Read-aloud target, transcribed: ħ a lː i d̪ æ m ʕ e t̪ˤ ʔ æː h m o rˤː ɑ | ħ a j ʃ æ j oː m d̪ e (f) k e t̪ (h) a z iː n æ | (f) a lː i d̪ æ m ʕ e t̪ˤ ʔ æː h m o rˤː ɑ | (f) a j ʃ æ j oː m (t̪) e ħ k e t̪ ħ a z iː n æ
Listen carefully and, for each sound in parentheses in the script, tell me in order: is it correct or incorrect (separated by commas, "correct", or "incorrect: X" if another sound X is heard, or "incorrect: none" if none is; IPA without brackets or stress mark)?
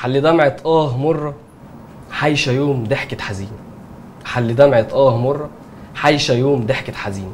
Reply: incorrect: ħ, incorrect: ħ, incorrect: ħ, incorrect: ħ, incorrect: d̪